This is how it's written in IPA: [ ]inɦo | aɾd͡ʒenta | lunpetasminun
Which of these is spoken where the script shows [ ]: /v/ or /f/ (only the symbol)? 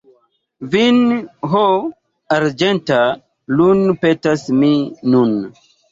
v